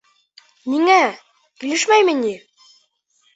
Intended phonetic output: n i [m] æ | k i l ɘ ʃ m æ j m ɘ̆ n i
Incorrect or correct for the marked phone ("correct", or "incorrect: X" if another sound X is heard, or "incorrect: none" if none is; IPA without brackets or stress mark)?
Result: incorrect: ŋ